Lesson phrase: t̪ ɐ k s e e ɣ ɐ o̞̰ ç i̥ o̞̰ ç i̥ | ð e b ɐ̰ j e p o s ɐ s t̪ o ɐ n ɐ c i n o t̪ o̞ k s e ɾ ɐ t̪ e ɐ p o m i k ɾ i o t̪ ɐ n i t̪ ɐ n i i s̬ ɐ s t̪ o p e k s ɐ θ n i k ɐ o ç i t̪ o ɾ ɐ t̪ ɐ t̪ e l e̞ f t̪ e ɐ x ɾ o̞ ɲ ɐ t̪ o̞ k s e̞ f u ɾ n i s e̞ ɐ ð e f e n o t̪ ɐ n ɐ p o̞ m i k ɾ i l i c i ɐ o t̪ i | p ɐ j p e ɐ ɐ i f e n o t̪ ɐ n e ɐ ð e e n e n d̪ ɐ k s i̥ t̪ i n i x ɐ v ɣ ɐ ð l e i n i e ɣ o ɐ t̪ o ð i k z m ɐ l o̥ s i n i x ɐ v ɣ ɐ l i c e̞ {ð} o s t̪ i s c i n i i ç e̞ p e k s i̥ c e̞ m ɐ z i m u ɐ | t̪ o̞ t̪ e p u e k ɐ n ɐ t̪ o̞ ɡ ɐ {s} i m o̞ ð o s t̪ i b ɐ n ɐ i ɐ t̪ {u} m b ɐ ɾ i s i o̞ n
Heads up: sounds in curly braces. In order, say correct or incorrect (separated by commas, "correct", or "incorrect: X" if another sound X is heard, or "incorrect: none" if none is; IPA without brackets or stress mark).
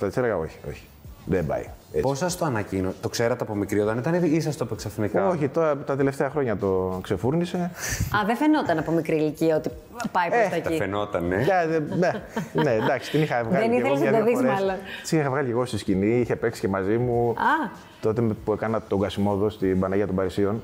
incorrect: ɣ, correct, incorrect: o